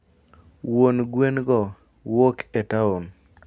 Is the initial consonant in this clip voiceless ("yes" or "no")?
no